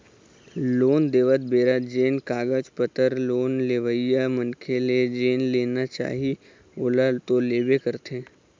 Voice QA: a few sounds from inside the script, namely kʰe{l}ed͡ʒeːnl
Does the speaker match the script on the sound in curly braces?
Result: yes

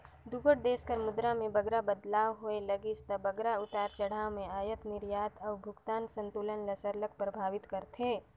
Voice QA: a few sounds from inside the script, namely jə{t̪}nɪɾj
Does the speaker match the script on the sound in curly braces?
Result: yes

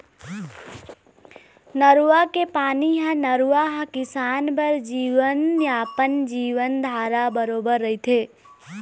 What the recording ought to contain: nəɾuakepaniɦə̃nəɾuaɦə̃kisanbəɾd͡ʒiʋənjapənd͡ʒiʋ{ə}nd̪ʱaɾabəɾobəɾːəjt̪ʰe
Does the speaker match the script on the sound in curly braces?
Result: yes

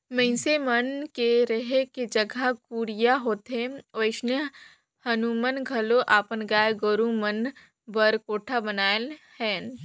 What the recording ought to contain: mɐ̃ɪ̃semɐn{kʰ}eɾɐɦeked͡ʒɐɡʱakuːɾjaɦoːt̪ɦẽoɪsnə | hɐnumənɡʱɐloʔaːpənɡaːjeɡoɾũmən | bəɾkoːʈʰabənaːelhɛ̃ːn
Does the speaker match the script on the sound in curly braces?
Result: no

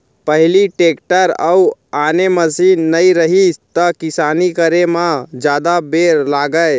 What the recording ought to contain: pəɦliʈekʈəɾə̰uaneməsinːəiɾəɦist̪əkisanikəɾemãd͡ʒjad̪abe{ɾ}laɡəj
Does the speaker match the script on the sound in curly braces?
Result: yes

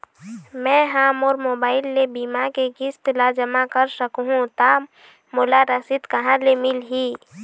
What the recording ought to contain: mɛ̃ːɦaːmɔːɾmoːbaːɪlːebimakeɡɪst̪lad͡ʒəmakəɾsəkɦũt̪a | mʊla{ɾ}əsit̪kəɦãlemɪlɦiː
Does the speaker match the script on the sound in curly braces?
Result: yes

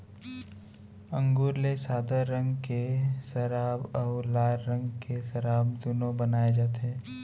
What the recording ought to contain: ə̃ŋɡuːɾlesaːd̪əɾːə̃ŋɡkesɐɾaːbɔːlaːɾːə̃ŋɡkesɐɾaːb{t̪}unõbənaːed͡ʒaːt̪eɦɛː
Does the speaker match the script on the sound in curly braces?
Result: no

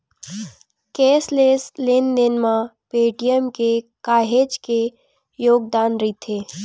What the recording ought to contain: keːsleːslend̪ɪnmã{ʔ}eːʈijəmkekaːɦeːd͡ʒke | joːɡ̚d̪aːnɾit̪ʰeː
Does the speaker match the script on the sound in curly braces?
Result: no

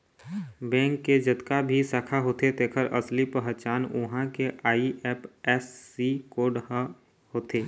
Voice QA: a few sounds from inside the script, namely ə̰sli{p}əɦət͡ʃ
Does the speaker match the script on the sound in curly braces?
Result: yes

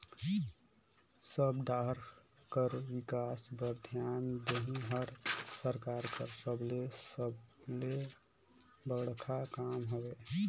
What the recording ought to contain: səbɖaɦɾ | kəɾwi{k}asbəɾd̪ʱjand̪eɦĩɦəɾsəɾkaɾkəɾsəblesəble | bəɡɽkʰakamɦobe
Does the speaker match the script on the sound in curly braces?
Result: yes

